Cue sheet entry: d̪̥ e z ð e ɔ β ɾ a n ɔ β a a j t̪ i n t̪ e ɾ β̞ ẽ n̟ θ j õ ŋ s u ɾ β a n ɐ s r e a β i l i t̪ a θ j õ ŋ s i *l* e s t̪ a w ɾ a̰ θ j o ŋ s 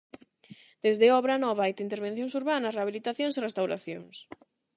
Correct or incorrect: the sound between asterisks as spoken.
incorrect: r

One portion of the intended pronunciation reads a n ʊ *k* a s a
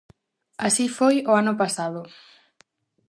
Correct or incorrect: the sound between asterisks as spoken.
incorrect: p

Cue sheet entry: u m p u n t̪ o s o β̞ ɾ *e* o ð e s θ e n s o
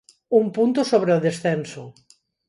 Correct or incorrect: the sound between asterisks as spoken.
correct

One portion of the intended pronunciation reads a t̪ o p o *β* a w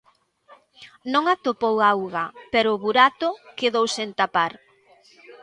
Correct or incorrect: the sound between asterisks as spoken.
incorrect: w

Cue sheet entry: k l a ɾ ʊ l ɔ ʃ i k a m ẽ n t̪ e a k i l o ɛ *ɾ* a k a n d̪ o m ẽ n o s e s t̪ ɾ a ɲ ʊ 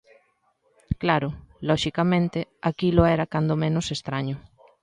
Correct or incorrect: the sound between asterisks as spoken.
correct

